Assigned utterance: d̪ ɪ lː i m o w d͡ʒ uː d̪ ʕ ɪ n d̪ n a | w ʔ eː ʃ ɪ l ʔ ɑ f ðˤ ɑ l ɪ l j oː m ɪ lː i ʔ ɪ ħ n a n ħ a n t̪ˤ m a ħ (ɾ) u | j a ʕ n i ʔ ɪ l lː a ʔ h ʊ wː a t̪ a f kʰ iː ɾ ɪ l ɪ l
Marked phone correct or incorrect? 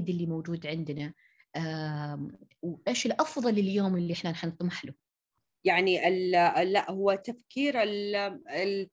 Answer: incorrect